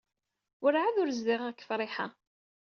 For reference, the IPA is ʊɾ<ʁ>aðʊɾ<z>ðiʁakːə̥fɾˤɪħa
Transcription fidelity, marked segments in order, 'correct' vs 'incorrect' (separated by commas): incorrect, correct